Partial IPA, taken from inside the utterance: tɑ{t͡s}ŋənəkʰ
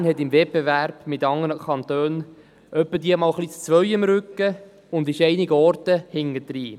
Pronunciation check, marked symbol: incorrect: none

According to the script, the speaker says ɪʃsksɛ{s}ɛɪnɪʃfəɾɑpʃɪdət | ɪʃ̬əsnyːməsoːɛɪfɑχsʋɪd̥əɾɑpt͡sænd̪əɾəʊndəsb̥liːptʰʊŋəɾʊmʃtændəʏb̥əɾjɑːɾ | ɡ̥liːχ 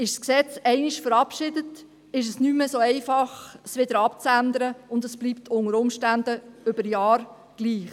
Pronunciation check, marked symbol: incorrect: t͡s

